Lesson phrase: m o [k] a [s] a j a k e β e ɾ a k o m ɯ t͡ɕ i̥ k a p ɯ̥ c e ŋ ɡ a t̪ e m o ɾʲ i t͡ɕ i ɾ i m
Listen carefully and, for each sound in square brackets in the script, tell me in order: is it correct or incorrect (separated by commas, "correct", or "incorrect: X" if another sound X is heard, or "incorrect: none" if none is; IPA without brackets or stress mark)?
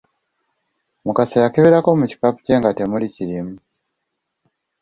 correct, correct